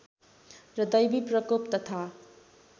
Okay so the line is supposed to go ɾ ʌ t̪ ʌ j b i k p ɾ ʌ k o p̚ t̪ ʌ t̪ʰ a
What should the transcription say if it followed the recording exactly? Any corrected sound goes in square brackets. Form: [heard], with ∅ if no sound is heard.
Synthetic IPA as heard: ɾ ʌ [d̪] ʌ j b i [∅] p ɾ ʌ k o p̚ t̪ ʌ t̪ʰ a